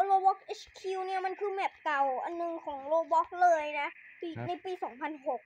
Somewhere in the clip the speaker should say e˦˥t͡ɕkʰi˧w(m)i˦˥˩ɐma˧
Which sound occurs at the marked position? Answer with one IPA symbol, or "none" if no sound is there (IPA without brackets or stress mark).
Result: n